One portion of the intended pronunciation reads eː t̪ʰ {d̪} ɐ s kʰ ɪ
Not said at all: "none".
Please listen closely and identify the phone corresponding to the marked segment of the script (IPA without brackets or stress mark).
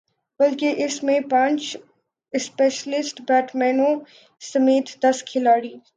d̪